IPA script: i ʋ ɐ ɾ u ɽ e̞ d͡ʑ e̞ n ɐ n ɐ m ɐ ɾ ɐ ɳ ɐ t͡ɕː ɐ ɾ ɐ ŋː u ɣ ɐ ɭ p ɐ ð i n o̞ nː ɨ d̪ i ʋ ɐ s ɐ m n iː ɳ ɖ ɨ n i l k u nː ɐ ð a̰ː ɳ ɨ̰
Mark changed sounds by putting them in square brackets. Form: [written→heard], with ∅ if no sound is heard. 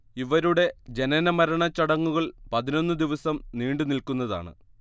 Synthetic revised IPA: i ʋ ɐ ɾ u ɽ e̞ d͡ʑ e̞ n ɐ n ɐ m ɐ ɾ ɐ ɳ ɐ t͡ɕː ɐ [ɾ→ɽ] ɐ ŋː u ɣ ɐ ɭ p ɐ ð i n o̞ nː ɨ d̪ i ʋ ɐ s ɐ m n iː ɳ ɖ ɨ n i l k u nː ɐ ð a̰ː ɳ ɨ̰